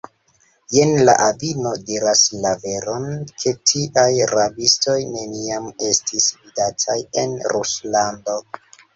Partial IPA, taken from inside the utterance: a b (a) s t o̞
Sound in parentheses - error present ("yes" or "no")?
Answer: yes